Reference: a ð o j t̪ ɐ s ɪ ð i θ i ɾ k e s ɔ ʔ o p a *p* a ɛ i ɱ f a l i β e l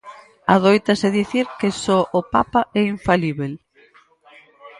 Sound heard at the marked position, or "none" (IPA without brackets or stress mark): p